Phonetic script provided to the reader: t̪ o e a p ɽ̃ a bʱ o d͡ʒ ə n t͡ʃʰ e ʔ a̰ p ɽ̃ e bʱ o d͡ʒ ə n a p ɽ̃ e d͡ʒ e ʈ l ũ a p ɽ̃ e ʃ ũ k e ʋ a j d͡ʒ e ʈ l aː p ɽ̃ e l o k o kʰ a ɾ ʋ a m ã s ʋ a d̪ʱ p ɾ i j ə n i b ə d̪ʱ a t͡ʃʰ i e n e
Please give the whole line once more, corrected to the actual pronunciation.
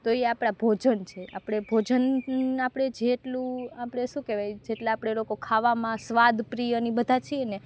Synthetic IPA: t̪ o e a p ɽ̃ a bʱ o d͡ʒ ə n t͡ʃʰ e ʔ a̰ p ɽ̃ e bʱ o d͡ʒ ə n a p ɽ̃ e d͡ʒ e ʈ l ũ a p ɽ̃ e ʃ ũ k e ʋ a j d͡ʒ e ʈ l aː p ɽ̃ e l o k o kʰ a ʋ a m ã s ʋ a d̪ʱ p ɾ i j ə n i b ə d̪ʱ a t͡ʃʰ i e n e